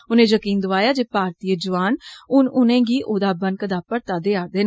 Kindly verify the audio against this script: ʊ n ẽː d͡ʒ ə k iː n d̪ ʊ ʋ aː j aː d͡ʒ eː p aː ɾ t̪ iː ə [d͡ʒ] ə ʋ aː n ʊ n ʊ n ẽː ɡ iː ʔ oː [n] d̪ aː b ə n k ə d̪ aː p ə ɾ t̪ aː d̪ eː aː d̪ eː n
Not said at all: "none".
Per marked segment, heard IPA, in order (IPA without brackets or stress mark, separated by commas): d͡ʒ, none